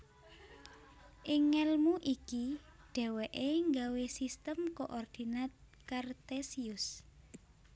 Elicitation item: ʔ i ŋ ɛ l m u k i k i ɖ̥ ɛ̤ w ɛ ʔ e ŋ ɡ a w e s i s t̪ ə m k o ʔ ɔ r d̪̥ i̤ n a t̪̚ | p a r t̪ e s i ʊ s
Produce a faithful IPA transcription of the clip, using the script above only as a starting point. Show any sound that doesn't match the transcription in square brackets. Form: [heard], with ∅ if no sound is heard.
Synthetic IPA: ʔ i ŋ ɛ l m u [ʔ] i k i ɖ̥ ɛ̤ w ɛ ʔ e ŋ ɡ a w e s i s t̪ ə m k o ʔ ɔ r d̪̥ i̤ n a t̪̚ | [k] a r t̪ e s i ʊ s

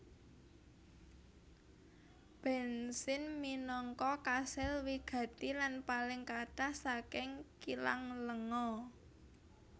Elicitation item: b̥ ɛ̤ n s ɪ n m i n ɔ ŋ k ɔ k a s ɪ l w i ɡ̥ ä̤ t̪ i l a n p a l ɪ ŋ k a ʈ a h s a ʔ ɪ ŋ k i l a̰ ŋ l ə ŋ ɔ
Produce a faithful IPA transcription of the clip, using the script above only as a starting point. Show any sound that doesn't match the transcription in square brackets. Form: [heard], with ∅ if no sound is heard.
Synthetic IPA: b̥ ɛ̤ n s ɪ n m i n ɔ ŋ k ɔ k a s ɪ l w i ɡ̥ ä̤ t̪ i l a n p a l ɪ ŋ k a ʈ a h s a [k] ɪ ŋ k i l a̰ ŋ l ə ŋ ɔ

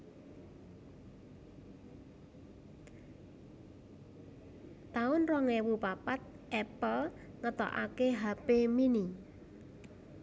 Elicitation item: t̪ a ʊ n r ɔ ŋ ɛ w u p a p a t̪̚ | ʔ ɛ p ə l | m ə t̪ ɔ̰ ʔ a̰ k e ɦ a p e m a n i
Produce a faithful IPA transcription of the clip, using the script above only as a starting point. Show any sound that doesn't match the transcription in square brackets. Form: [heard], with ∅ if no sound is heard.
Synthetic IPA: t̪ a ʊ n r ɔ ŋ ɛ w u p a p a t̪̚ | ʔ ɛ p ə l | [ŋ] ə t̪ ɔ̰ ʔ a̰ k e ɦ a p e m [i] n i

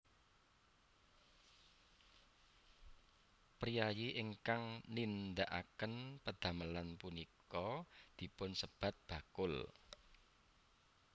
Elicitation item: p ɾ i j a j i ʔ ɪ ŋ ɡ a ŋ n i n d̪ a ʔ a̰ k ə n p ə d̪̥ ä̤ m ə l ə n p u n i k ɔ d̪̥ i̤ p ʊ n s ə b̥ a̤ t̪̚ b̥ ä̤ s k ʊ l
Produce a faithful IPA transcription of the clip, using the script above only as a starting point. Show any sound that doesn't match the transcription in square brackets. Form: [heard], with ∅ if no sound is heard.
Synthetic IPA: p ɾ i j a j i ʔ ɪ ŋ [k] a ŋ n i n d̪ a ʔ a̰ k ə n p ə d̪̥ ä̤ m ə l [a] n p u n i k ɔ d̪̥ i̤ p ʊ n s ə b̥ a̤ t̪̚ b̥ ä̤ [∅] k ʊ l

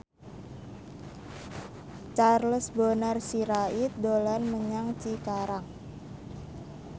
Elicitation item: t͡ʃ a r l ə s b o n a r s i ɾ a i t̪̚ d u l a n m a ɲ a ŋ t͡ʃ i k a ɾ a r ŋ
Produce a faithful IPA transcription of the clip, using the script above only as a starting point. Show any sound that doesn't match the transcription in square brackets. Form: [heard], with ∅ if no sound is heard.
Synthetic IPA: t͡ʃ a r l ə s b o n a r s i ɾ a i t̪̚ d [o] l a n m [ə] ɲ a ŋ t͡ʃ i k a ɾ a [∅] ŋ

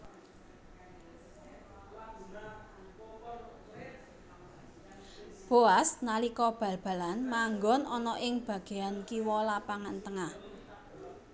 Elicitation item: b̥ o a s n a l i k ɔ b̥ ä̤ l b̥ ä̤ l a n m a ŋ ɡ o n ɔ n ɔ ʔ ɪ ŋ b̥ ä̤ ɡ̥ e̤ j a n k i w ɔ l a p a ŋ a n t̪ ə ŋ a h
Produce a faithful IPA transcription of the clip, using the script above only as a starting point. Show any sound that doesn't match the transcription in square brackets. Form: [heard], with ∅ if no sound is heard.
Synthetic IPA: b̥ o a s n a l i k ɔ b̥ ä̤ l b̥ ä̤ l a n m a ŋ ɡ [ɔ] n ɔ n ɔ ʔ ɪ ŋ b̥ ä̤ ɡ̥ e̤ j a n k i w ɔ l a p a ŋ a n t̪ ə ŋ a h

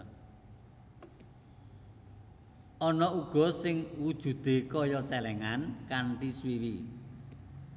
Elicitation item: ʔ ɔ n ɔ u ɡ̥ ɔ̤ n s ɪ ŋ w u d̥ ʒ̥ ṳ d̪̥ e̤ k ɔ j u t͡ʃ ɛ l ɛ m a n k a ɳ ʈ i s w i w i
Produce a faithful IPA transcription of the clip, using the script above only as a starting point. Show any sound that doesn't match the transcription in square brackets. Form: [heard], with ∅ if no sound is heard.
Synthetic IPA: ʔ ɔ n ɔ u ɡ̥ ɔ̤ [∅] s ɪ ŋ w u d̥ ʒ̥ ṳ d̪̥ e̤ k ɔ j [ɔ] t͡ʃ ɛ l ɛ [ŋ] a n k a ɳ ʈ i s w i w i

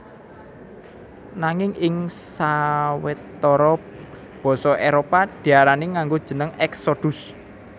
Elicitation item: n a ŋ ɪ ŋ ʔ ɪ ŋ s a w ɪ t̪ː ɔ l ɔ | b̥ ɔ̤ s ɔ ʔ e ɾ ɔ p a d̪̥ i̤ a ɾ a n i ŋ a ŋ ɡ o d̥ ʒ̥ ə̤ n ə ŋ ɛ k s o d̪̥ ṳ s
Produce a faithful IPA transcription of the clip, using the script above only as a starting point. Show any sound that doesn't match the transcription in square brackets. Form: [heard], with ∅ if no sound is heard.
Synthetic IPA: n a ŋ ɪ ŋ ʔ ɪ ŋ s a w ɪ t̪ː ɔ [ɾ] ɔ | b̥ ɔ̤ s ɔ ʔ e ɾ [o] p a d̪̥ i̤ a ɾ a n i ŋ a ŋ ɡ o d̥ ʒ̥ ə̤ n ə ŋ ɛ k s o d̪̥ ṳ s

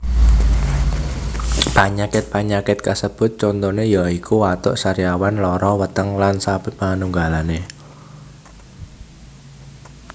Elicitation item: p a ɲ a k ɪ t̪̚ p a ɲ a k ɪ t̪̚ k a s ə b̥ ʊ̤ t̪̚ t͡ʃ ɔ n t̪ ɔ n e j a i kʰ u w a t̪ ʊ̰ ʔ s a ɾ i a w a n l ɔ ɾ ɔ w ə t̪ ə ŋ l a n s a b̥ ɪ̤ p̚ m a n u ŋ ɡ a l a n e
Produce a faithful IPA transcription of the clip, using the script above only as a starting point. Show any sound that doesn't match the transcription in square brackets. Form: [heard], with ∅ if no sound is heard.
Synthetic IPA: p a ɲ a k ɪ t̪̚ p a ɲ a k ɪ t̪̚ k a s ə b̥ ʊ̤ t̪̚ t͡ʃ ɔ n t̪ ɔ n e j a i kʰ u w a t̪ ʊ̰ ʔ s a ɾ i a w a n l ɔ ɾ ɔ w ə t̪ ə ŋ l a n s a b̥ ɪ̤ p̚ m a n u ŋ ɡ a l a n e

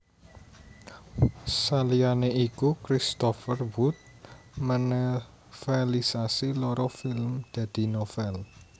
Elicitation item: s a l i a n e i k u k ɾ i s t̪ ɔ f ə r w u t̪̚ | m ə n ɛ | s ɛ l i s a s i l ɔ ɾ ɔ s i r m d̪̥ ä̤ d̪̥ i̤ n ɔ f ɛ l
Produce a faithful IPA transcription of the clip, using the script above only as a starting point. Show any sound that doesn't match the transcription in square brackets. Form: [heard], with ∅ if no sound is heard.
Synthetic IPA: s a l i a n e i k u k ɾ i s t̪ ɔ f ə r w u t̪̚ | m ə n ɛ | [f] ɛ l i s a s i l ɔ ɾ ɔ [f] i [l] m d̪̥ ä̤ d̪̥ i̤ n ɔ f ɛ l

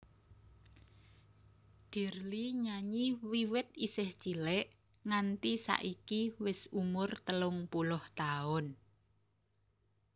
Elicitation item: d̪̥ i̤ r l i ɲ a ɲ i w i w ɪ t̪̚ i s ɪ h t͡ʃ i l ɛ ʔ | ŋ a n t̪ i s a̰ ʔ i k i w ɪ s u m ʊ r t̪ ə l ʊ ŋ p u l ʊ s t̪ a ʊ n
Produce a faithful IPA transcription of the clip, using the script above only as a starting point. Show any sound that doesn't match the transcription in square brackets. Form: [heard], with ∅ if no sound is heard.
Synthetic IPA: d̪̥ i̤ r l i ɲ a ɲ i w i w ɪ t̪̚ i s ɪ h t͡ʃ i l ɛ ʔ | ŋ a n t̪ i s a̰ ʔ i k i w ɪ s u m ʊ r t̪ ə l ʊ ŋ p u l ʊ [h] t̪ a ʊ n

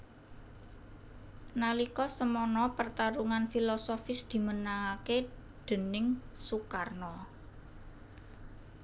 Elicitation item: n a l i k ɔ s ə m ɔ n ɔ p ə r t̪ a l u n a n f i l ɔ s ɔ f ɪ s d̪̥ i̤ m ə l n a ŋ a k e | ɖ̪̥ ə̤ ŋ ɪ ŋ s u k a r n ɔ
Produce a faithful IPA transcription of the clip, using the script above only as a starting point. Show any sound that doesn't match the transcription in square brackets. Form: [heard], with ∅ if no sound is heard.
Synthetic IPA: n a l i k ɔ s ə m ɔ n ɔ p ə r t̪ a [ɾ] u [ŋ] a n f i l ɔ s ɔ f ɪ s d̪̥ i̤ m ə [∅] n a ŋ a k e | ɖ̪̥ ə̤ [n] ɪ ŋ s u k a r n ɔ

